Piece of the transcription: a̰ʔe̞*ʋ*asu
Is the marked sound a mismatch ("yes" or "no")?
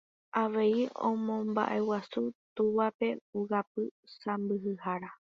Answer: yes